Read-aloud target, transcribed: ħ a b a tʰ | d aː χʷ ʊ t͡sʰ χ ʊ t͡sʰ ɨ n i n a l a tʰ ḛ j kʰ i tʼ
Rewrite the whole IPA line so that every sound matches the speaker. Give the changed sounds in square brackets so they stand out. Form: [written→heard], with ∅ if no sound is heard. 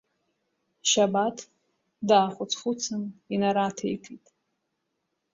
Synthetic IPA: [ħ→ʃ] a b a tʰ | d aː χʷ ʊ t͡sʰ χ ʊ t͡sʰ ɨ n i n a [l→ɾ] a tʰ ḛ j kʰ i tʼ

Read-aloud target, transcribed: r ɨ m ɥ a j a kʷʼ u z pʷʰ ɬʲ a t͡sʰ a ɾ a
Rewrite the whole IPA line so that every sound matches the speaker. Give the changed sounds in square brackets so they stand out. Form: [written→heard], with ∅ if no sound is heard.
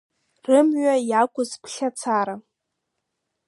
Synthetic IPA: r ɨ m ɥ a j a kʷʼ [u→ʊ] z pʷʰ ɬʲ a t͡sʰ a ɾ a

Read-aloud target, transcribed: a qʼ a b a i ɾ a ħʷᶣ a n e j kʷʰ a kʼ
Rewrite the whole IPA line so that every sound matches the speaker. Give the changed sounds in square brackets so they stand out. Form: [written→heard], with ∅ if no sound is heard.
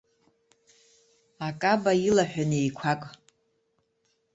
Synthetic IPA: a [qʼ→kʼ] a b a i [ɾ→l] a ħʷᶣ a n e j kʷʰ a kʼ

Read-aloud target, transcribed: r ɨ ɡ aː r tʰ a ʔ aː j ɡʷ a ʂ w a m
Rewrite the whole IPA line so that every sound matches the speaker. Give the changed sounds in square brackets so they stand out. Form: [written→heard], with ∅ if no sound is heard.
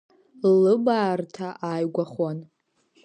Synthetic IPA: [r→l] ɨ [ɡ→b] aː r tʰ a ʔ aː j ɡʷ a [ʂ→χ] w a [m→n]

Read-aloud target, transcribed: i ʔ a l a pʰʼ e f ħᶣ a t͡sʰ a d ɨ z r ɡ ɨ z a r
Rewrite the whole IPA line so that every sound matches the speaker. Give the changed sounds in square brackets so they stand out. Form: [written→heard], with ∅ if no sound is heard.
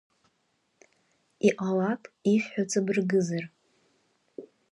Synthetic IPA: i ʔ a l a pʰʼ [e→i] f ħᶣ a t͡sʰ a [d→b] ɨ [z→∅] r ɡ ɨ z a r

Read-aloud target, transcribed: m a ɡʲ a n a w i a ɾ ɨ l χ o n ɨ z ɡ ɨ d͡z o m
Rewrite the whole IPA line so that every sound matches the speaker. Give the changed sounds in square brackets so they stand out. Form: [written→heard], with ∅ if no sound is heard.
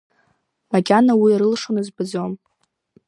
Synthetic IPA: m a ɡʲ a n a w i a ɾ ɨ l [χ→ʂ] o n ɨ z [ɡ→b] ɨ d͡z o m

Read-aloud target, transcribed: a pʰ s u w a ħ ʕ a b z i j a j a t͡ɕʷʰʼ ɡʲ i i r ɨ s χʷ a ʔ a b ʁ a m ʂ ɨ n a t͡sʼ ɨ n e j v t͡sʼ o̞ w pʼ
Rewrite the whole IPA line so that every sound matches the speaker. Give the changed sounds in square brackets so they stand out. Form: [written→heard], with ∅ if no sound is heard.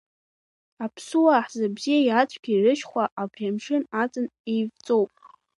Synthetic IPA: a pʰ s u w a ħ [ʕ→z] a b z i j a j a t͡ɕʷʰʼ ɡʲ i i r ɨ [s→ʃ] χʷ a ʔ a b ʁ a m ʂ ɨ n a t͡sʼ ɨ n e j v t͡sʼ o̞ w pʼ

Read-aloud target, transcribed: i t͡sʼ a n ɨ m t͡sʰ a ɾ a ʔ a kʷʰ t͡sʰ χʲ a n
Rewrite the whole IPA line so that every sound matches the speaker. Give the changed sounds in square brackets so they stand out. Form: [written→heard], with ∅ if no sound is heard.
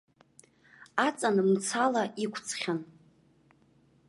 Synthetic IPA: [i→a] t͡sʼ a n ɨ m t͡sʰ a [ɾ→l] a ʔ [a→i] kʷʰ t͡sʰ χʲ a n

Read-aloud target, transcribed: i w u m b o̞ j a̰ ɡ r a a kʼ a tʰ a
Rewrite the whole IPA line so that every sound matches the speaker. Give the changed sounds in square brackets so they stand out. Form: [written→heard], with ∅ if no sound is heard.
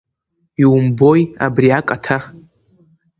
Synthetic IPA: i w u m b o̞ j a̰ [ɡ→b] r [a→i] a kʼ a tʰ a

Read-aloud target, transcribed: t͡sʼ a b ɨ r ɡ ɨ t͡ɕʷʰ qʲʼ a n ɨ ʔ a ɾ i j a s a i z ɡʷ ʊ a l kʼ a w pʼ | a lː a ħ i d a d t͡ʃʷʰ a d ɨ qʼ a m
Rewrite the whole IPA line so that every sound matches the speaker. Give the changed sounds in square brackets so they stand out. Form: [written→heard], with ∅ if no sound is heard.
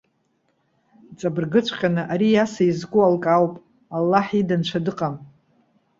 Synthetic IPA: t͡sʼ a b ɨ r ɡ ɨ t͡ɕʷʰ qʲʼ a n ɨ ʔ a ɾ i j a s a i z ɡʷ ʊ a l kʼ a w pʼ | a lː a ħ i d a [d→n] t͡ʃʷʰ a d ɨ qʼ a m

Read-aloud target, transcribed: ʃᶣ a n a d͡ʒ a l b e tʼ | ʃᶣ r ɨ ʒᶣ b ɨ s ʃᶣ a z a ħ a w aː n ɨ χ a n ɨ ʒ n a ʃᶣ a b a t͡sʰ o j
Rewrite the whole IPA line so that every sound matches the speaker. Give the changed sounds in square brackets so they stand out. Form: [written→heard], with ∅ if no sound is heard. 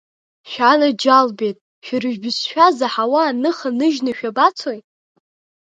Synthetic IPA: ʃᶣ a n a d͡ʒ a l b e tʼ | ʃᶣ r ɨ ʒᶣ b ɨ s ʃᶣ a z a ħ a w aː n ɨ χ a n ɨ ʒ n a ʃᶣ a b a t͡sʰ o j

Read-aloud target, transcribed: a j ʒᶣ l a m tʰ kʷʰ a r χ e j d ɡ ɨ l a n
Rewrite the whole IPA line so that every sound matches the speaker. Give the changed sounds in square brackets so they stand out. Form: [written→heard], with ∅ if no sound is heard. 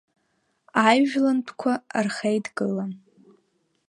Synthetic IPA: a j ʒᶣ l a [m→n] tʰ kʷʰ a r χ e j d ɡ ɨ l a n

